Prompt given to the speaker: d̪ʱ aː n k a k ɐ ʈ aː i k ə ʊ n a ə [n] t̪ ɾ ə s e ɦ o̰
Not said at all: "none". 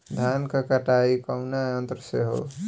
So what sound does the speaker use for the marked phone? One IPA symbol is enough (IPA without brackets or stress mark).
n